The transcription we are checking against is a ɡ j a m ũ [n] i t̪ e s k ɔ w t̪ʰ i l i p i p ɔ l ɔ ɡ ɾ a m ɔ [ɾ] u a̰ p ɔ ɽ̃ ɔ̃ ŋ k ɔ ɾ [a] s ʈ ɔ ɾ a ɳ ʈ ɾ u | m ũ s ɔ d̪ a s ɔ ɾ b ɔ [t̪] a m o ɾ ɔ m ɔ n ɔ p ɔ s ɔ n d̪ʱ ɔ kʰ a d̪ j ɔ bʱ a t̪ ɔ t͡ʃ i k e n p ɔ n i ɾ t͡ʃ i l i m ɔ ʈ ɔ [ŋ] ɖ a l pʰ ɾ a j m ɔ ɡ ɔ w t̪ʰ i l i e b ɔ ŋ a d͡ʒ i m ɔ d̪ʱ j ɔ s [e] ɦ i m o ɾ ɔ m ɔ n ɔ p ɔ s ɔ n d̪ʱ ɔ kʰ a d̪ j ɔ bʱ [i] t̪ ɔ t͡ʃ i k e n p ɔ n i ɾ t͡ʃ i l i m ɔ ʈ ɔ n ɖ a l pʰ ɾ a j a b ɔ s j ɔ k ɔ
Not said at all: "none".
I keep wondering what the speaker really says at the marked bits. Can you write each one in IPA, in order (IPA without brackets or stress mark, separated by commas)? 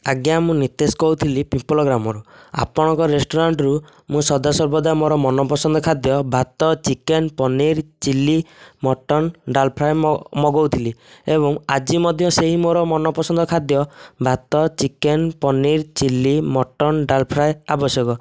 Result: n, ɾ, e, d̪, n, e, a